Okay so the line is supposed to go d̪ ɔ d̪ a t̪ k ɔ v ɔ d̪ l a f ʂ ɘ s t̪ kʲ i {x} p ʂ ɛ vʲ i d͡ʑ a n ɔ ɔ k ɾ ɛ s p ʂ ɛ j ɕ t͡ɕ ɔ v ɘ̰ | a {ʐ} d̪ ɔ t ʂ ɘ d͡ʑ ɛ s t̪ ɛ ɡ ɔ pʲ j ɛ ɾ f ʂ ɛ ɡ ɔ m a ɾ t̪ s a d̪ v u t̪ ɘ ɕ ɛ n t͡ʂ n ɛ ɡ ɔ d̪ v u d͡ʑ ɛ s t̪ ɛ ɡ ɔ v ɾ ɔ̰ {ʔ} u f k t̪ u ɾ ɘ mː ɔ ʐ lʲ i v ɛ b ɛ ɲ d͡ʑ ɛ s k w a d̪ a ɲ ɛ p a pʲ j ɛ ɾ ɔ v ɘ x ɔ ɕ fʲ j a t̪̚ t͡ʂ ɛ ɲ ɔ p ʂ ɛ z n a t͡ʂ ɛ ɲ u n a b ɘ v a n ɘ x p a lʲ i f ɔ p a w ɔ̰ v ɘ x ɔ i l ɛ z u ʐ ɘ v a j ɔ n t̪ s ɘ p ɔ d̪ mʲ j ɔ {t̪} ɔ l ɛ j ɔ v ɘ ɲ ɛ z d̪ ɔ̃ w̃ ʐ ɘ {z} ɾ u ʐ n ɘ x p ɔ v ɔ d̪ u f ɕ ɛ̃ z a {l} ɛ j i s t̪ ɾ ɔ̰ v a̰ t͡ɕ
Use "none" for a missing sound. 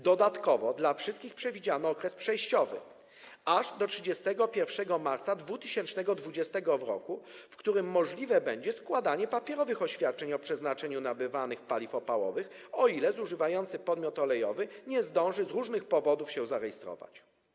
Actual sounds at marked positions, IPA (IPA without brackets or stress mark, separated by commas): x, ʐ, k, t̪, z, ɾ